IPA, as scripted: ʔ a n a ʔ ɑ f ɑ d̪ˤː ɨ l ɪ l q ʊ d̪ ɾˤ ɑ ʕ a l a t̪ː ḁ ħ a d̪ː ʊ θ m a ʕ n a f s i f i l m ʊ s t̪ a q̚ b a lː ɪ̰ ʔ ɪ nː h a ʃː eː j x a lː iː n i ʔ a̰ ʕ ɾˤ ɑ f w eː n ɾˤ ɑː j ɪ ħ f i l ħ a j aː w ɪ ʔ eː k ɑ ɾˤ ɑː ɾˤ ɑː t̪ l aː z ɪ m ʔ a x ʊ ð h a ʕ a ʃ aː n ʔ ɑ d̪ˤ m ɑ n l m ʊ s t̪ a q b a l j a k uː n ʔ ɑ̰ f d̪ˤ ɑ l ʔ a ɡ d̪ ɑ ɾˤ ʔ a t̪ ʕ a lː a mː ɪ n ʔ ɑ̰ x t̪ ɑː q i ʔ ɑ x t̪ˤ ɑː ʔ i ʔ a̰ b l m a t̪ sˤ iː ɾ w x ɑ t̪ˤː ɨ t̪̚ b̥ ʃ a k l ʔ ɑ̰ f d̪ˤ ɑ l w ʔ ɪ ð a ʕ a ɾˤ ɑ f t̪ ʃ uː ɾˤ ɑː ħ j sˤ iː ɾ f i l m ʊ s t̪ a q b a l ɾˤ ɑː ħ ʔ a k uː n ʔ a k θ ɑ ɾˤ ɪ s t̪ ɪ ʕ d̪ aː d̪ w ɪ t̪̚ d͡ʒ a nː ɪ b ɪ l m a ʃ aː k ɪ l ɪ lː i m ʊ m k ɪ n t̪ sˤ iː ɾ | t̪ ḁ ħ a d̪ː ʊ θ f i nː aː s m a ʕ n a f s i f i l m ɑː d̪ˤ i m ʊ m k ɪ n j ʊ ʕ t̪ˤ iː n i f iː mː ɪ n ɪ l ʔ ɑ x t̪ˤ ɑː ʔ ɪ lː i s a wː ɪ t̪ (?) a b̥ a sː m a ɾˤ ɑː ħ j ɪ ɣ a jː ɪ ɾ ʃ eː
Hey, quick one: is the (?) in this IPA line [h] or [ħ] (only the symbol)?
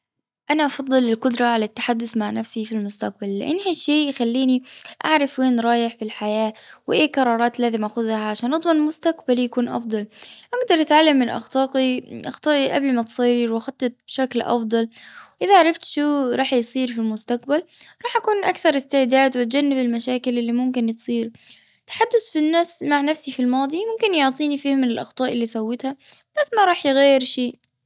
h